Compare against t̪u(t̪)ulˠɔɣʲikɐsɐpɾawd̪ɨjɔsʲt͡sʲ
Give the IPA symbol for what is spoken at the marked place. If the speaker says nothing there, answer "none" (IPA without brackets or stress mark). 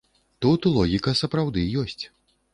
t̪